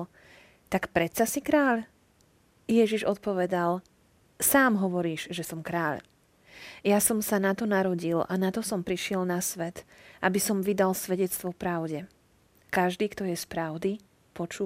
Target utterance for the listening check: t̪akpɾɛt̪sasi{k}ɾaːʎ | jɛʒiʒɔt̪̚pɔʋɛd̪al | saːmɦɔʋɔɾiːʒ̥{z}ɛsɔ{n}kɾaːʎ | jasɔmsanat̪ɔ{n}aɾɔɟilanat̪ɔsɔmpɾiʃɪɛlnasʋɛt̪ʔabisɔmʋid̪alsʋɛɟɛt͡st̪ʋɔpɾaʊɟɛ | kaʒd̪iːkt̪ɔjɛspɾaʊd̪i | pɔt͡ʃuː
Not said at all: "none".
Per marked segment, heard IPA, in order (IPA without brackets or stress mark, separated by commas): k, ʒ, m, n